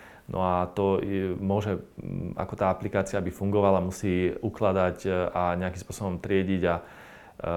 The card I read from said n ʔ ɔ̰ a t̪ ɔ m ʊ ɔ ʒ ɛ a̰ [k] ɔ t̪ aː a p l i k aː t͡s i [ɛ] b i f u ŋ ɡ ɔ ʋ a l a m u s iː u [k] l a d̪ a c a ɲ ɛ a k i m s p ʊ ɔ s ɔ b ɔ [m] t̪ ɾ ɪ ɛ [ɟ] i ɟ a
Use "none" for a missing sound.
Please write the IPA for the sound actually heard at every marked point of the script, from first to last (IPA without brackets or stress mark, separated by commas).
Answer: k, a, k, m, ɟ